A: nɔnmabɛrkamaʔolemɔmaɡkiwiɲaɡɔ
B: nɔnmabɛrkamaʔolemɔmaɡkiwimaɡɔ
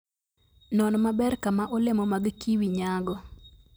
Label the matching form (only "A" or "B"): A